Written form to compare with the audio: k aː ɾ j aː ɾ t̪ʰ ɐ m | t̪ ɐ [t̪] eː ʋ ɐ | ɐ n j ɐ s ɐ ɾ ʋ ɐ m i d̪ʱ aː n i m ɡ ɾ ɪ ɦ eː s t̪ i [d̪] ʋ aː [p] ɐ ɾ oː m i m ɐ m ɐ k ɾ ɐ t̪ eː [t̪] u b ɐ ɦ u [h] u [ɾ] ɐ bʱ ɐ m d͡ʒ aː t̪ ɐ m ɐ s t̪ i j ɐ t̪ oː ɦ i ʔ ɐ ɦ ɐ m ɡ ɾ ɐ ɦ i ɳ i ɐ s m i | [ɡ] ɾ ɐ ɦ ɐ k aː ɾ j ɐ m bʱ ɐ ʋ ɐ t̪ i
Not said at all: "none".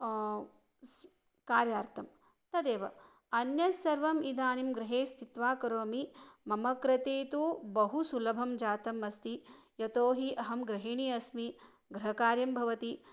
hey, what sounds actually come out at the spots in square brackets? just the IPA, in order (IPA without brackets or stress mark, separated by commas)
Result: d̪, t̪, k, t̪, s, l, ɡ